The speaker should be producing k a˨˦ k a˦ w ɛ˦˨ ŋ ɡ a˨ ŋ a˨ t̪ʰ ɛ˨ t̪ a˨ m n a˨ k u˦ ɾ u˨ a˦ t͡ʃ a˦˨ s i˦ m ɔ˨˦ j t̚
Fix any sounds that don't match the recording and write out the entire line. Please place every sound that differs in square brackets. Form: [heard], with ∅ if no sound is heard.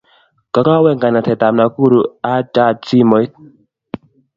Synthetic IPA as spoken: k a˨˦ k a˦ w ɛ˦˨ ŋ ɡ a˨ [n] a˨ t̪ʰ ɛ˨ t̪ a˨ m n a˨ k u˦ ɾ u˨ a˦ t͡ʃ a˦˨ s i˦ m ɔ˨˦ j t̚